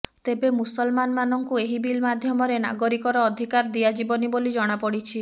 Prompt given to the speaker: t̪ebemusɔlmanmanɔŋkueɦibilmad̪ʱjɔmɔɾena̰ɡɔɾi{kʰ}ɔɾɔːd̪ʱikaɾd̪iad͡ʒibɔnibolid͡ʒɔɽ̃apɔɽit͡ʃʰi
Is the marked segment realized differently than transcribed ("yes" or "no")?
yes